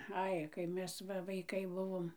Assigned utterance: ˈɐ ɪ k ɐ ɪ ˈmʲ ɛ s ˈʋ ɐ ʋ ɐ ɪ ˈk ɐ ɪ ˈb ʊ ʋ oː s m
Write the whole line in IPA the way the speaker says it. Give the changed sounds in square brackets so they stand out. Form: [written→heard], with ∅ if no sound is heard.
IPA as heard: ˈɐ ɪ k ɐ ɪ ˈmʲ ɛ s ˈʋ ɐ ʋ ɐ ɪ ˈk ɐ ɪ ˈb ʊ ʋ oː [s→∅] m